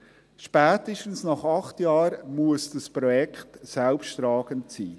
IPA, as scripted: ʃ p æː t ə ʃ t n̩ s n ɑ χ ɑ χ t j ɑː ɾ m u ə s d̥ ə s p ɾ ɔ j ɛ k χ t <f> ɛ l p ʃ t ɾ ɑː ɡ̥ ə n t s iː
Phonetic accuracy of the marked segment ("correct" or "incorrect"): incorrect